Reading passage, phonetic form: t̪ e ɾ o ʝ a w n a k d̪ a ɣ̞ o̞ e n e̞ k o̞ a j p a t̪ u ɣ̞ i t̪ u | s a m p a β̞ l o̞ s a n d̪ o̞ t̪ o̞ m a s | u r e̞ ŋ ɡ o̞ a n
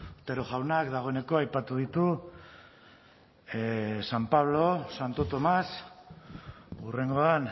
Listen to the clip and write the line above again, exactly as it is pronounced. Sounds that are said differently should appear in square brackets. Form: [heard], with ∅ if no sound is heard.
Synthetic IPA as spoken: t̪ e ɾ o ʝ a w n a k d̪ a ɣ̞ o̞ e n e̞ k o̞ a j p a t̪ u [ð̞] i t̪ u | s a m p a β̞ l o̞ s a n [t̪] o̞ t̪ o̞ m a s | u r e̞ ŋ ɡ o̞ a n